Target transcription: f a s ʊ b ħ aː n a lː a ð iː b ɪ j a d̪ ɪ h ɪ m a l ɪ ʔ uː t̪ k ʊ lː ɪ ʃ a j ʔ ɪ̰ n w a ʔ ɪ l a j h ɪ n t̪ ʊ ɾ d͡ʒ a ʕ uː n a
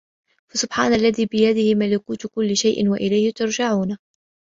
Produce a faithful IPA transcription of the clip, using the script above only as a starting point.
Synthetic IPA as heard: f a s ʊ b ħ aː n a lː a ð iː b ɪ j a d̪ ɪ h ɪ m a l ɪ k uː t̪ k ʊ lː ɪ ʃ a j ʔ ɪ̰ n w a ʔ ɪ l a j h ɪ t̪ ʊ ɾ d͡ʒ a ʕ uː n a